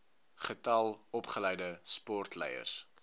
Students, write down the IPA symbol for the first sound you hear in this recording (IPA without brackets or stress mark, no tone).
χ